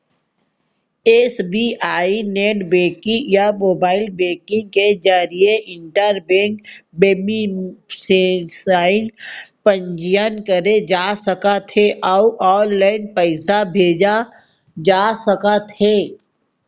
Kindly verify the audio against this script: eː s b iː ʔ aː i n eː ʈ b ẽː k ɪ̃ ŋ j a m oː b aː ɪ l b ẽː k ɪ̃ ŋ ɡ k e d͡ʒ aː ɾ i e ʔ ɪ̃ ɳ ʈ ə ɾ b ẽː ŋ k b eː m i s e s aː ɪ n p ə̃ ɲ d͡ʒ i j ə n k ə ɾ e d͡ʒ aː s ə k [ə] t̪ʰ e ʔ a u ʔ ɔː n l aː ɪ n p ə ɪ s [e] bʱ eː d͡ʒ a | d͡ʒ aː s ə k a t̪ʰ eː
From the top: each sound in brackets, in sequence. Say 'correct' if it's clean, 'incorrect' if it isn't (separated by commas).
incorrect, incorrect